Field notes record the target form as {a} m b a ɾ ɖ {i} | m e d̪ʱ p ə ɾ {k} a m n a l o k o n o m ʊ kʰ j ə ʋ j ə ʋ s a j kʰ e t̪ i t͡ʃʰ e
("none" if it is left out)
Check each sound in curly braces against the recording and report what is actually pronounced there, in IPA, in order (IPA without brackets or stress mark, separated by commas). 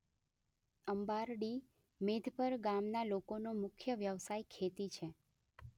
ə, i, ɡ